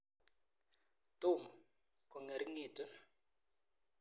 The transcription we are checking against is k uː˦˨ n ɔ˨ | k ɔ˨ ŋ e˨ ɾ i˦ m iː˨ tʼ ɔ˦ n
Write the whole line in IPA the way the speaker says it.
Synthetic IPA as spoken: t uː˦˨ m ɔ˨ | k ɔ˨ ŋ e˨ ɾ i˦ ŋ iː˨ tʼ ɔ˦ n